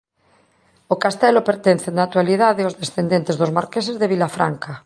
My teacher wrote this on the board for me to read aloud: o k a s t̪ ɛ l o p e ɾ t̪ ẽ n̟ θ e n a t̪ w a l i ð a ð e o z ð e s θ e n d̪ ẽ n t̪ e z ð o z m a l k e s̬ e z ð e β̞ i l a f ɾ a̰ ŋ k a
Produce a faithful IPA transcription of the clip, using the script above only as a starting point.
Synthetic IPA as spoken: o k a s t̪ ɛ l o p e ɾ t̪ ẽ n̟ θ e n a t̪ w a l i ð a ð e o z ð e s θ e n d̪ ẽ n t̪ e z ð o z m a ɾ k e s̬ e z ð e β̞ i l a f ɾ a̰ ŋ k a